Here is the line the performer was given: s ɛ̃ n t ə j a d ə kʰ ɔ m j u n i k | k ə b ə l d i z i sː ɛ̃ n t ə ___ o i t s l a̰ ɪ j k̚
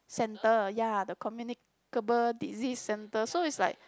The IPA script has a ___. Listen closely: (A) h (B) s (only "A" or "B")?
B